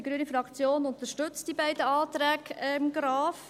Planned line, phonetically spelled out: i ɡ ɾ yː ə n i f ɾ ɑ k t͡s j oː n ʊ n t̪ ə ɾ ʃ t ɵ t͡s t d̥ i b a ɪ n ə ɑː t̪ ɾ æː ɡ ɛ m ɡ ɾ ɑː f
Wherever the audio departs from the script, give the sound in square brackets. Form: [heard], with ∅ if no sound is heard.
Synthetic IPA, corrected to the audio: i ɡ ɾ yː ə n i f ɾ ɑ k t͡s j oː n ʊ n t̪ ə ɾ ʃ t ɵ t͡s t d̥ i b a ɪ [d] ə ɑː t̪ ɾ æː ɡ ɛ m ɡ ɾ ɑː f

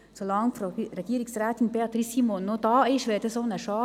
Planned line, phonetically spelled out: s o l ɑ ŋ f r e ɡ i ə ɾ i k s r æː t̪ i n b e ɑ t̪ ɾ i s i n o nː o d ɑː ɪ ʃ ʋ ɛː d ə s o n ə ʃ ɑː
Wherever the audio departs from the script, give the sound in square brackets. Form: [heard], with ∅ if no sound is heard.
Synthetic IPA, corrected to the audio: s o l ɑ ŋ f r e ɡ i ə ɾ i k s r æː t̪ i n b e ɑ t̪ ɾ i s i [m] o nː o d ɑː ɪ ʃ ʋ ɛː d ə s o n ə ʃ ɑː

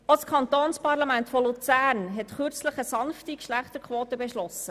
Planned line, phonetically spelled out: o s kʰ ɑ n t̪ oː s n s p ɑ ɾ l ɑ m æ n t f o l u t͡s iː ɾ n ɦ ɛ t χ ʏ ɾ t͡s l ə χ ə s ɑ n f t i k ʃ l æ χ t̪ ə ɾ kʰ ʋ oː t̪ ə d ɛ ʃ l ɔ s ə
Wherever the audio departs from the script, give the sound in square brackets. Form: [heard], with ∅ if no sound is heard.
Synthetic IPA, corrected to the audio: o s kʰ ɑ n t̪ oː [∅] n s p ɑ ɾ l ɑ m æ n t f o l u t͡s [æː] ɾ n ɦ ɛ t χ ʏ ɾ t͡s l ə χ ə s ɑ n f t i k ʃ l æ χ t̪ ə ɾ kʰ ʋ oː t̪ ə [b] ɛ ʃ l ɔ s ə

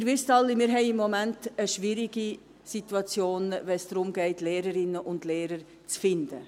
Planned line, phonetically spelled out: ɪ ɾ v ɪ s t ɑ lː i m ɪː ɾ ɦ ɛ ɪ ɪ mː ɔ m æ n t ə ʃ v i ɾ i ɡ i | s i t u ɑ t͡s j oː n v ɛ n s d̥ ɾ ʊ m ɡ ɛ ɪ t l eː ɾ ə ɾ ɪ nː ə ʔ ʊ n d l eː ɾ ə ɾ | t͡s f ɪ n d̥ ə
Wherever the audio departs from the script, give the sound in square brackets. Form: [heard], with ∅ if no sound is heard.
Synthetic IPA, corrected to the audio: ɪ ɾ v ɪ s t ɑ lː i m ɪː ɾ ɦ ɛ ɪ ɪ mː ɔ m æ n t ə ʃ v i ɾ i ɡ i | s i t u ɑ t͡s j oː n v ɛ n s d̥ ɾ ʊ m ɡ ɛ ɪ t l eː ɾ ə ɾ ɪ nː ə ʔ ʊ n d l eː ɾ ə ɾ | t͡s f ɪ n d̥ ə

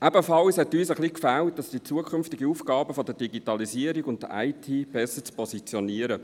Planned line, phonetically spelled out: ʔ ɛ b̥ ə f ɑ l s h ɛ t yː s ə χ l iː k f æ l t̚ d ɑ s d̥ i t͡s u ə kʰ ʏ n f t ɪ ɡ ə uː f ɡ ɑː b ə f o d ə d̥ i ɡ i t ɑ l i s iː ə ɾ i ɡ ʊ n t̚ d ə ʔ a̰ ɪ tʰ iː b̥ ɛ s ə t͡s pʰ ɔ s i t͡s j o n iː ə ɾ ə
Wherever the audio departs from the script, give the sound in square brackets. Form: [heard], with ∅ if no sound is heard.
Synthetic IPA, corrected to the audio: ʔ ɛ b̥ ə f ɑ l s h ɛ t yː s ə χ l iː k f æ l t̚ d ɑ s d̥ i t͡s u ə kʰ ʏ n f t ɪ ɡ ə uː f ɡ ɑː b ə f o d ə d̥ i ɡ i t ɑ l i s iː ə ɾ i ɡ ʊ n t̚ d ə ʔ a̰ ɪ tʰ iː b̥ ɛ s ə t͡s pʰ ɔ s i t͡s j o n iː ə ɾ ə

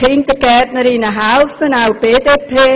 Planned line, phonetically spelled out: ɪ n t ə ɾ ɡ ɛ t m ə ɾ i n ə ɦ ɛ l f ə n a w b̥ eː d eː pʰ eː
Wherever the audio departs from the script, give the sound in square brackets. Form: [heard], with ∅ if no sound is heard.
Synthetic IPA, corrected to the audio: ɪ n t ə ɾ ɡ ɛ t [n] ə ɾ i n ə ɦ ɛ l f ə n a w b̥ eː d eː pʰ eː

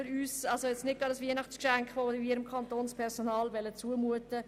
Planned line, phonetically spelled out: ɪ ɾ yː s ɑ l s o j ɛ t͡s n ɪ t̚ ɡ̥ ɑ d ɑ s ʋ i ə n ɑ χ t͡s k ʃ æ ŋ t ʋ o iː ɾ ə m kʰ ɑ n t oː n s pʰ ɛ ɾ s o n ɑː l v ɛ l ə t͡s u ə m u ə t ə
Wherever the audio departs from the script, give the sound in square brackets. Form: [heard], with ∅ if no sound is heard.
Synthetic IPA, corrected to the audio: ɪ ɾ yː s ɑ l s o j ɛ t͡s n ɪ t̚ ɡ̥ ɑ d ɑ s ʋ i ə n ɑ χ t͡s k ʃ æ ŋ [k] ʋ o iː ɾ ə m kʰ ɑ n t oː n s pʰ ɛ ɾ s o n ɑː l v ɛ l ə t͡s u ə m u ə t ə

